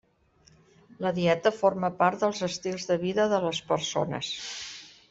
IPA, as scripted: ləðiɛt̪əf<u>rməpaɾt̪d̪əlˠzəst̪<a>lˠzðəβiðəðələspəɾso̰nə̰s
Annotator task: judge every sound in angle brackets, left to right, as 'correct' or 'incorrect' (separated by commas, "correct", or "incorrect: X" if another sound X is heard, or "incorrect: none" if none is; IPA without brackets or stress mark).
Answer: incorrect: o, incorrect: i